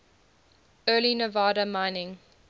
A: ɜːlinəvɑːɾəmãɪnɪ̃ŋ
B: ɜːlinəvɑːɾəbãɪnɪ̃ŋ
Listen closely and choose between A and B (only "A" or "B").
A